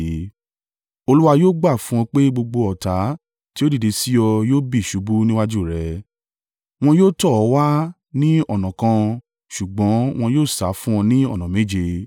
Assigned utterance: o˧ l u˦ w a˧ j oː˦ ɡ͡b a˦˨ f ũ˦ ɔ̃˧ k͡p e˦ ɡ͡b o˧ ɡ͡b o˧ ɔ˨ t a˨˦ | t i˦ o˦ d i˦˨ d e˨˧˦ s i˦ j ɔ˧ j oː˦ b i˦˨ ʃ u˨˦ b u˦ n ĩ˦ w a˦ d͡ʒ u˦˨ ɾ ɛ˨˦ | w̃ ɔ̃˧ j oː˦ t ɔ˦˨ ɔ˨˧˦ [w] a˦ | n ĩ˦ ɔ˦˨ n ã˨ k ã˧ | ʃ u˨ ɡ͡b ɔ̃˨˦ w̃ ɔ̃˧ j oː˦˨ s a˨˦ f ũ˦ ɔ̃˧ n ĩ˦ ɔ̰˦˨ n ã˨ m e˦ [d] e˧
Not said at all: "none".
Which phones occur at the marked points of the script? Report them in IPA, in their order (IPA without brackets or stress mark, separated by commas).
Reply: w, d͡ʒ